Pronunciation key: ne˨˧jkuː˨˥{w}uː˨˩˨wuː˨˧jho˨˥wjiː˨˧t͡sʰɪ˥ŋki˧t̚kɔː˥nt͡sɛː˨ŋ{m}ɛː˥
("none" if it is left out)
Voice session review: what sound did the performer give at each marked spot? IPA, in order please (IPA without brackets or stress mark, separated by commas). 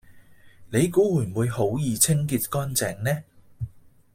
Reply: w, n